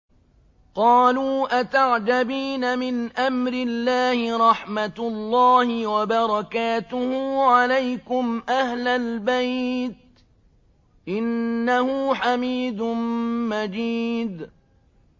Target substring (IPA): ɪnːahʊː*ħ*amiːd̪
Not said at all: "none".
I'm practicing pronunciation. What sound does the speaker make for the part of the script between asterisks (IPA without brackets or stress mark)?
ħ